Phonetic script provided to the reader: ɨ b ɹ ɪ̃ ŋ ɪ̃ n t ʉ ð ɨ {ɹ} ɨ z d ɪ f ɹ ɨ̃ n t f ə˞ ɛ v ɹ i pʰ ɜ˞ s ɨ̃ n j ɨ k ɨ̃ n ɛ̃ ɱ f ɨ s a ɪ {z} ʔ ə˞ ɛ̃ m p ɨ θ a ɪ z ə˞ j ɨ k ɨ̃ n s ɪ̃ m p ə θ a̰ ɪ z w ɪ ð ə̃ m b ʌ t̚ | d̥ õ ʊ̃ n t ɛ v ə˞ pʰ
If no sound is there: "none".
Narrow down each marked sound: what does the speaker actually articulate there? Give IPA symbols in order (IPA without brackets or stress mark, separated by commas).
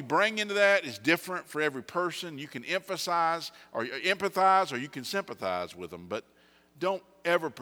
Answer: ɾ, z